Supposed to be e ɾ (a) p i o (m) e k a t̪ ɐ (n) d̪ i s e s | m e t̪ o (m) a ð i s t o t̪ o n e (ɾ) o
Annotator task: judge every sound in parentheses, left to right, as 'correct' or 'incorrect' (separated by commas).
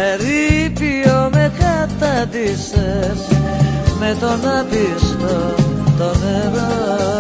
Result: incorrect, correct, incorrect, incorrect, correct